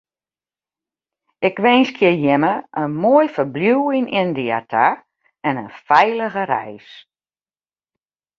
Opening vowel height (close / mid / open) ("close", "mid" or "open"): close